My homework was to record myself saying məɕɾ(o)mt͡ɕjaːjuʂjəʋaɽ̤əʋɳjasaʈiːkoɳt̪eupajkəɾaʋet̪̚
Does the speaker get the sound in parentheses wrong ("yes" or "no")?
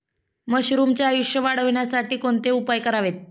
yes